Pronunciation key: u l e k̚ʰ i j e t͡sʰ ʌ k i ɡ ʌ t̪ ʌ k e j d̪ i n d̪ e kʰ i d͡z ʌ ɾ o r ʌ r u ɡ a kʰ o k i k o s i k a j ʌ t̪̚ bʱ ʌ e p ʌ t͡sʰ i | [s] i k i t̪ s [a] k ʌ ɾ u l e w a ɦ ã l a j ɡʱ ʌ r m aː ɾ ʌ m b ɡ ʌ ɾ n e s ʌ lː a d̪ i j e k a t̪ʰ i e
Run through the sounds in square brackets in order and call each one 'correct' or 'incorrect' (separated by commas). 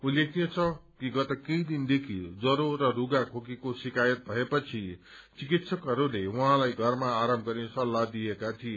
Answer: incorrect, incorrect